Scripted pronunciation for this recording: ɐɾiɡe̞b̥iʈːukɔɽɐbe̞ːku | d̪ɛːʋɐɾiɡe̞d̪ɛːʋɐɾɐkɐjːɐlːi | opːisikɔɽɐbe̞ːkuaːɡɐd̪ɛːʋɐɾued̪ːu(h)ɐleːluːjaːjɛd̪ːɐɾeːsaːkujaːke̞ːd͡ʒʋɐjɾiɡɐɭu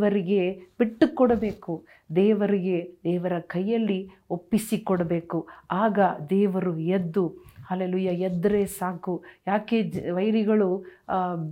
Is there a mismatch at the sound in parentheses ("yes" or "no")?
no